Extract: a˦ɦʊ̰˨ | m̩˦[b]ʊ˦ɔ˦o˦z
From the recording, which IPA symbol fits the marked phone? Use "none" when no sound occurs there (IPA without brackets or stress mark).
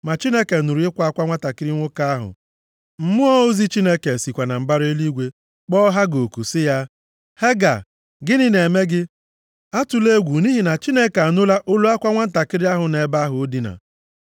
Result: m